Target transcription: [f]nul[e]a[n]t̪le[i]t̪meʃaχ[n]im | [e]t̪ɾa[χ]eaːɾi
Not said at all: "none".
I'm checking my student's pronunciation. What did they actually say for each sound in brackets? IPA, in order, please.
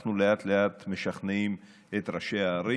χ, e, none, a, n, e, ʃ

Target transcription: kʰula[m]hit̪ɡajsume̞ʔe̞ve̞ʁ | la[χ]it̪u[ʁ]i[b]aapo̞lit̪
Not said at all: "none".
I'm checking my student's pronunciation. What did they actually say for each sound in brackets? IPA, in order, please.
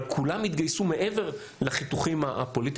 m, χ, χ, m

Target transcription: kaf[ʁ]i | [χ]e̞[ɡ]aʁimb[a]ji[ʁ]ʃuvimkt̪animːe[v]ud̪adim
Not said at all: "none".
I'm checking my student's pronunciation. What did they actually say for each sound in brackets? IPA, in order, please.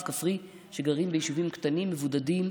ʁ, ʃ, ɡ, e, none, v

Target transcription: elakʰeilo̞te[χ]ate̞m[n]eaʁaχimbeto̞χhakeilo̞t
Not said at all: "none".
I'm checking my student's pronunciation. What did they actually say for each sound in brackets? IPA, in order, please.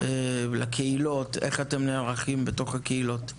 χ, n

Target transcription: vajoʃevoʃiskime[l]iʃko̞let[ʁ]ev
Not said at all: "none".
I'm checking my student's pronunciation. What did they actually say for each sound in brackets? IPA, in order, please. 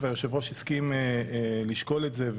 l, z

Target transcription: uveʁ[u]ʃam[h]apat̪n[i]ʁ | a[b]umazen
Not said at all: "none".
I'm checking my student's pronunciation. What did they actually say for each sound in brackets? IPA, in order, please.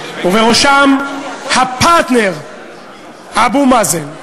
o, h, e, b

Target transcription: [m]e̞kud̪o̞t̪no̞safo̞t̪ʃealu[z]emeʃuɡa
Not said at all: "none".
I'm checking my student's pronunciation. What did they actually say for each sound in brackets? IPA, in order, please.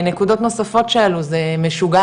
n, z

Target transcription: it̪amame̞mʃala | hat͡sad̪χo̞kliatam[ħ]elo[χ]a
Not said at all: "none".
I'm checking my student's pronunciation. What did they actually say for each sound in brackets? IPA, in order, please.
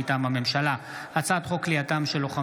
ʃ, χ

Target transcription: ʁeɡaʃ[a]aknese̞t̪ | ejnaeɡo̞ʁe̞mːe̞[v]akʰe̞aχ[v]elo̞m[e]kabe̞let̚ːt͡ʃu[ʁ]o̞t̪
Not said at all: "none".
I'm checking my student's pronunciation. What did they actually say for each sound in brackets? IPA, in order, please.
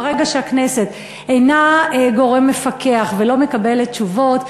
e, f, v, e, v

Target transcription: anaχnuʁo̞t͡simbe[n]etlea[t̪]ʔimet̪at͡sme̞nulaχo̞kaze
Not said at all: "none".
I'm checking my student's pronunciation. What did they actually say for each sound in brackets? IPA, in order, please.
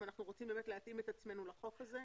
m, t̪

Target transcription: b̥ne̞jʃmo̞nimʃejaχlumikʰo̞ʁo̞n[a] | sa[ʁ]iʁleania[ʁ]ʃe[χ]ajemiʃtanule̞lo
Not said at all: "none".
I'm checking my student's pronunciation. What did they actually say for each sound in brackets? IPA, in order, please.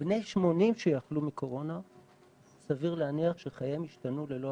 a, v, χ, χ

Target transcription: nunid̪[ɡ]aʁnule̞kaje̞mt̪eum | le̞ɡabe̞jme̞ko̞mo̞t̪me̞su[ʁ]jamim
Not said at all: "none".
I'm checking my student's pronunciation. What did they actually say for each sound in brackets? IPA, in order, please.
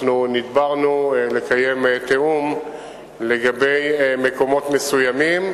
b, none

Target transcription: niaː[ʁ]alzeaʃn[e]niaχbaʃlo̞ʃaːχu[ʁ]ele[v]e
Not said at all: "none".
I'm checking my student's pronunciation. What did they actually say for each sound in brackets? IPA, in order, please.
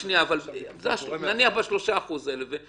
v, a, z, v

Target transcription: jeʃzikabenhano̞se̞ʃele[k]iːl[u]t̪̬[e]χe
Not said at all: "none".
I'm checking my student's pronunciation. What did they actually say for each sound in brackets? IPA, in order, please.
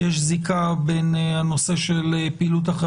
p, u, a

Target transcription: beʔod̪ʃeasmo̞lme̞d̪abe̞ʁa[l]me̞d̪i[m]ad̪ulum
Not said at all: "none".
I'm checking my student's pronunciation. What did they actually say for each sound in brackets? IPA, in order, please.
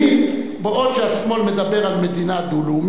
l, n

